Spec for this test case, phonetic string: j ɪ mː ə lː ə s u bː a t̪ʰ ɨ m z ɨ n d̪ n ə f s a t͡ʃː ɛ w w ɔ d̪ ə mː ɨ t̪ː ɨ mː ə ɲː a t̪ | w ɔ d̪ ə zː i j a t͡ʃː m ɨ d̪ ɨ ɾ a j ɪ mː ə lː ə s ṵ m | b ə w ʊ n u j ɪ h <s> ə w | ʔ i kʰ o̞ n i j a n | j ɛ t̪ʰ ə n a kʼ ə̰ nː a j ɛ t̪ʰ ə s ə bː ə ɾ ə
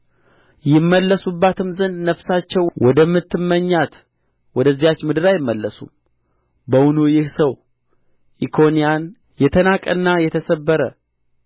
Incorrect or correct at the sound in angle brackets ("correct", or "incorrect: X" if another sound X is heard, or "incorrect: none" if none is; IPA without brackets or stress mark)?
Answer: correct